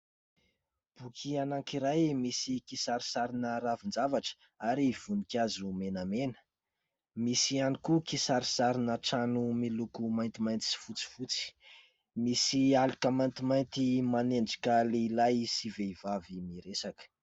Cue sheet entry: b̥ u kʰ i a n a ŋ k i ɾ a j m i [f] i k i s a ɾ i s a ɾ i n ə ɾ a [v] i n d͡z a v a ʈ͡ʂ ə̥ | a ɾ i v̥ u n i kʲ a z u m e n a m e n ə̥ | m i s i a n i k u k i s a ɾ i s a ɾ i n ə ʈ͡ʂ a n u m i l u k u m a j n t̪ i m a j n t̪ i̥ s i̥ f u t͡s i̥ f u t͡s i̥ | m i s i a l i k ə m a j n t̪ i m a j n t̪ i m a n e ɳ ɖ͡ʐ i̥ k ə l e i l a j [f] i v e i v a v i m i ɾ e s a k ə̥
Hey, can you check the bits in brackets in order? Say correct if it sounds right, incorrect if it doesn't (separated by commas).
incorrect, correct, incorrect